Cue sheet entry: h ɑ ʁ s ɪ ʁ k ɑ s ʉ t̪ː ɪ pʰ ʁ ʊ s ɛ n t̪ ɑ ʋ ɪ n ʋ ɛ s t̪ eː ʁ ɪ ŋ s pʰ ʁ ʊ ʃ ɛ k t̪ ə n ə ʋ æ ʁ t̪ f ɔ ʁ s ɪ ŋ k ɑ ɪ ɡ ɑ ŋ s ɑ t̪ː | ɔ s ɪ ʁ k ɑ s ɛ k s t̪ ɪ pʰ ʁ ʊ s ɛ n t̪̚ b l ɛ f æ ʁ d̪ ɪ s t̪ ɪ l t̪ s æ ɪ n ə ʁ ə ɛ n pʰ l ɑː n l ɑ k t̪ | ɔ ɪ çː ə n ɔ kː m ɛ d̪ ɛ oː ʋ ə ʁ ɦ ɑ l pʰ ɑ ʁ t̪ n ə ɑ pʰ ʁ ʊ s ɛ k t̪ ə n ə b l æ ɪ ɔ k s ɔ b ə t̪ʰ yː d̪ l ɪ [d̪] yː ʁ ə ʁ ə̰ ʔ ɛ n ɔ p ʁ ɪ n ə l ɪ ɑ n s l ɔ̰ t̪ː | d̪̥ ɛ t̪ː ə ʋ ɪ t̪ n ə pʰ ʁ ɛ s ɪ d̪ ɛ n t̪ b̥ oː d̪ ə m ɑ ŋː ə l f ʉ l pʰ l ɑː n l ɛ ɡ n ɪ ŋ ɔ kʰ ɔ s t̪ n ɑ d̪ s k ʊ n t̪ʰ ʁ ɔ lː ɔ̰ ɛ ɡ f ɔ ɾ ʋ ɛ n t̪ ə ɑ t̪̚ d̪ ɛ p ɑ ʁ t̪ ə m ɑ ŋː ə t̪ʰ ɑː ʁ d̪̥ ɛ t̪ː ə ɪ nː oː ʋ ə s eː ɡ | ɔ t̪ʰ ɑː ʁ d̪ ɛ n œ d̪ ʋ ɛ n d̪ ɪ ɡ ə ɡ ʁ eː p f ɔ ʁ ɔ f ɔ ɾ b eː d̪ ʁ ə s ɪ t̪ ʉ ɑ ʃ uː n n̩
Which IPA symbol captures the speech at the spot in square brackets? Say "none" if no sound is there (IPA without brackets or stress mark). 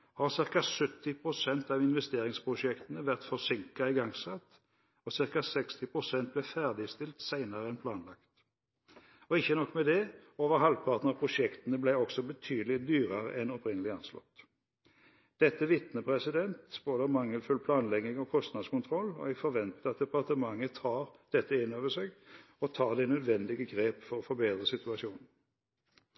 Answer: d̪